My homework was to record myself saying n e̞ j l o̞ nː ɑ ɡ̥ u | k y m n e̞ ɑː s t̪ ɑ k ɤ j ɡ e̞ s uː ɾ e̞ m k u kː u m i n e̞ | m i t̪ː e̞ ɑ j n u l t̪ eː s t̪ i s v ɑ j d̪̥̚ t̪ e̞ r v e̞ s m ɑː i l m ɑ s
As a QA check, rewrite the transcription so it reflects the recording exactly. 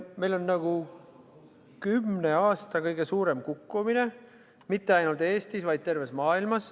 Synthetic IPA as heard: m e̞ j l o̞ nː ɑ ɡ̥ u | k y m n e̞ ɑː s t̪ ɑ k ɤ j ɡ e̞ s uː ɾ e̞ m k u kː u m i n e̞ | m i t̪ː e̞ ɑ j n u l t̪ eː s t̪ i s v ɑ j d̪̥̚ t̪ e̞ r v e̞ s m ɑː i l m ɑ s